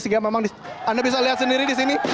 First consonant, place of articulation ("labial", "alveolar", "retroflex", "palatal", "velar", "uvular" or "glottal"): alveolar